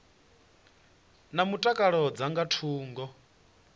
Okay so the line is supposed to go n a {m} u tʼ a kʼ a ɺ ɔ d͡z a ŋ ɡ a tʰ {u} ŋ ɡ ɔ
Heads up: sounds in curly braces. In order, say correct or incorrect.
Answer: correct, incorrect: uː

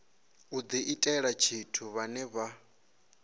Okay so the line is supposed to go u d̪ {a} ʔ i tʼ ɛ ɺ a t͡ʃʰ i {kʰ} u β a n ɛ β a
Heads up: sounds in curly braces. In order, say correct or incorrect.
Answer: incorrect: i, incorrect: tʰ

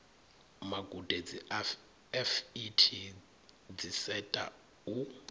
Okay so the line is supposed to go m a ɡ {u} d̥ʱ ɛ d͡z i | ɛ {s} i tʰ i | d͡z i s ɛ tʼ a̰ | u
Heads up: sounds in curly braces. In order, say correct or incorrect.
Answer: correct, incorrect: f

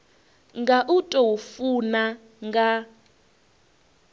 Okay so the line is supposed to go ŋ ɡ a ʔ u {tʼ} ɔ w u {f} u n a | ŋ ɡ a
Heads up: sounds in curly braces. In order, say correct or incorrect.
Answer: correct, correct

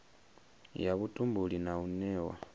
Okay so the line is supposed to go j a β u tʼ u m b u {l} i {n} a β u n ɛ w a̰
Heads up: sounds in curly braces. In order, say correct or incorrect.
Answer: correct, correct

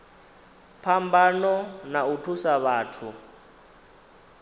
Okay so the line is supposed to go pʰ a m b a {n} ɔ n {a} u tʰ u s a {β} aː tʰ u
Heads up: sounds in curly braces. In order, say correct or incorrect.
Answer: correct, correct, correct

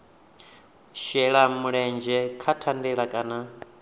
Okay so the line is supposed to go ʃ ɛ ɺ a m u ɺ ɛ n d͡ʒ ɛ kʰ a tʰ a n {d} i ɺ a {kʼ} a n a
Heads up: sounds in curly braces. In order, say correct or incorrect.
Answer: correct, correct

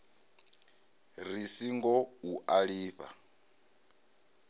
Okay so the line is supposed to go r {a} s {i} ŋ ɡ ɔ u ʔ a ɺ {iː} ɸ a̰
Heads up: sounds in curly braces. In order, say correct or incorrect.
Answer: incorrect: i, correct, correct

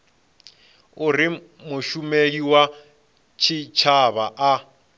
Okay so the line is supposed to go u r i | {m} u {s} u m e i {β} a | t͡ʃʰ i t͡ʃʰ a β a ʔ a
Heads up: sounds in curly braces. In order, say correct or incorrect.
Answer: correct, incorrect: ʃ, incorrect: w

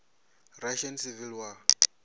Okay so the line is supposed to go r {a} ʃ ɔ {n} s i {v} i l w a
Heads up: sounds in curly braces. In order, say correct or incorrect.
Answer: correct, correct, correct

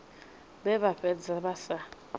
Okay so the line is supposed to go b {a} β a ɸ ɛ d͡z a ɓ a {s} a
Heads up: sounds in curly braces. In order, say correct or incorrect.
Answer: incorrect: ɛ, correct

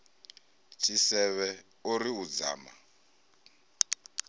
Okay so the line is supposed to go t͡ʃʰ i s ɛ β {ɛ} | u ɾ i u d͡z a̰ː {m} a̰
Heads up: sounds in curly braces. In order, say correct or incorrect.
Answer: correct, correct

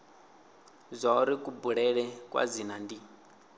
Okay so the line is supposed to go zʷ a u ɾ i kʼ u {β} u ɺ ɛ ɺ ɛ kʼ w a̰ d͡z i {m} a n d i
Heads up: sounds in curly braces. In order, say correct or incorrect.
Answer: incorrect: b, incorrect: n

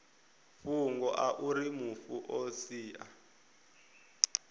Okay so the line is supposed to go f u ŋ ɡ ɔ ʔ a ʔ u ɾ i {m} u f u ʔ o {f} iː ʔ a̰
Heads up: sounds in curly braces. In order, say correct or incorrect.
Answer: correct, incorrect: s

